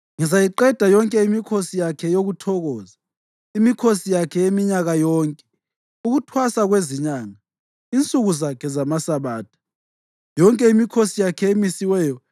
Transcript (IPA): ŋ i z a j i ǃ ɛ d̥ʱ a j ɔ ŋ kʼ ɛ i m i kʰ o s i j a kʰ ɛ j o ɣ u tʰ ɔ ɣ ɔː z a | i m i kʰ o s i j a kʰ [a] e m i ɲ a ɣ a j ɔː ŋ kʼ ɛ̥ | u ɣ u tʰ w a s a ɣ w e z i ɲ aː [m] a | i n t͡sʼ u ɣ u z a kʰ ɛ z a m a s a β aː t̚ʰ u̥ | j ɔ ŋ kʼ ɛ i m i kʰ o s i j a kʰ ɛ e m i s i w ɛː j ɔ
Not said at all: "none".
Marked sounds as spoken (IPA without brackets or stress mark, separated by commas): ɛ, ŋ